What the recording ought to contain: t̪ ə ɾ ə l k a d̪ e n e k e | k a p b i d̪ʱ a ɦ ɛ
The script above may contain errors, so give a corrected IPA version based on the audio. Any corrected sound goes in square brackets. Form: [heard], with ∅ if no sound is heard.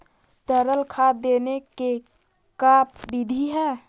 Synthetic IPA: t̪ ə ɾ ə l [kʰ] a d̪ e n e k e | k a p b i d̪ʱ [i] ɦ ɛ